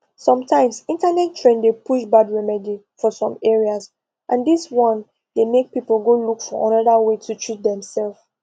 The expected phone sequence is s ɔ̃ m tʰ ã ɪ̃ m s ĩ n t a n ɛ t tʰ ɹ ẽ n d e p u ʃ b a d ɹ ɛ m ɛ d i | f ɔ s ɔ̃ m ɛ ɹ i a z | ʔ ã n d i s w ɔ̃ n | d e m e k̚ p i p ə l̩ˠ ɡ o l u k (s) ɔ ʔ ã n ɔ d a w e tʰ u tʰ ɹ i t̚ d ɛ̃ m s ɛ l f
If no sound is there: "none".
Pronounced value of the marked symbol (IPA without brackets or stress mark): f